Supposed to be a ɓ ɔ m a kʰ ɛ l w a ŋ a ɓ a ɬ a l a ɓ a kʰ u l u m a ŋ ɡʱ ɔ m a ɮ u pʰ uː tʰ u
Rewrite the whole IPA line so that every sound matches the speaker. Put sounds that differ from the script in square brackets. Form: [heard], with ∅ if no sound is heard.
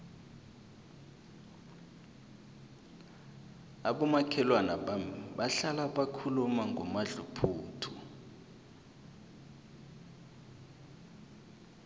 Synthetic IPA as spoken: a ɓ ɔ m a kʰ ɛ l w a [n] a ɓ a ɬ a l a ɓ a kʰ u l u m a ŋ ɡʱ ɔ m a ɮ u pʰ uː tʰ u

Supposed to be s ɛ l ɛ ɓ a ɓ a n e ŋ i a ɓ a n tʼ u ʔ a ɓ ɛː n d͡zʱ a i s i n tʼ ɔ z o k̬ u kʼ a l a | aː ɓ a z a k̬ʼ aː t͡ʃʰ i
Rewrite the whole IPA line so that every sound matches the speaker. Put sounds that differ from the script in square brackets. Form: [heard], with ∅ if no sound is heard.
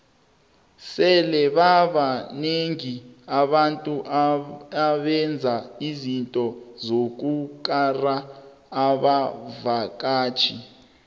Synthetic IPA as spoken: s ɛ l ɛ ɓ a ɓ a n e ŋ i a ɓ a n tʼ u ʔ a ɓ [ɛ] n d͡zʱ a i [z] i n tʼ ɔ z o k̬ u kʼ a [r] a | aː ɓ a [v] a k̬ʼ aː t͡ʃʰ i

